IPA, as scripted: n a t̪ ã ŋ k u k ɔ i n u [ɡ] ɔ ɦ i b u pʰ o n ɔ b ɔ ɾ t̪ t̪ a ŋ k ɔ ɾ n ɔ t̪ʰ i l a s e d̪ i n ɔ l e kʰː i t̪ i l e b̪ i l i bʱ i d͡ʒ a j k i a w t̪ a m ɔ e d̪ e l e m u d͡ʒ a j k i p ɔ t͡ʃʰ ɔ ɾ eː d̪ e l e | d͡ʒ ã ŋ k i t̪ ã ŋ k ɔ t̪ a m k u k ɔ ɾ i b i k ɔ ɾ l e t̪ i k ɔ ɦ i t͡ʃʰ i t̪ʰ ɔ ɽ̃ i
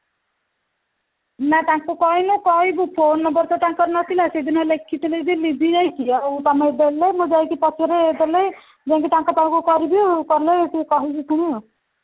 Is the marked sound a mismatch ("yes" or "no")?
yes